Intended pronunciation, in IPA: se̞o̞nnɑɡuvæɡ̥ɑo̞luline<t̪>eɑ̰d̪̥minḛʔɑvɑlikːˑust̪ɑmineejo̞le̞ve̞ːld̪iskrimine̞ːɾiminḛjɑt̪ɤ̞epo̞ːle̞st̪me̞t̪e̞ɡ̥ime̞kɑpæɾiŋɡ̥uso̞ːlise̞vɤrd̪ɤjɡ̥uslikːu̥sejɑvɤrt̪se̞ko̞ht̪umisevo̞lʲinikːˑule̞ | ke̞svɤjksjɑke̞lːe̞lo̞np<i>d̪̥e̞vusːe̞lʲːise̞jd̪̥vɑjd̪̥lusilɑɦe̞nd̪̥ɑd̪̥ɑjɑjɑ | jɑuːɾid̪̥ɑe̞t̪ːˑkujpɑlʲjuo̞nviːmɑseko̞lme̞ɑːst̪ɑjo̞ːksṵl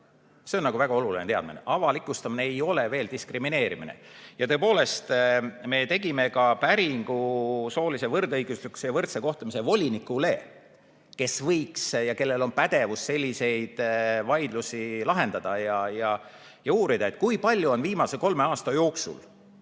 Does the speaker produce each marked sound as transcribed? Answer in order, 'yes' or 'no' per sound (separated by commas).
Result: yes, no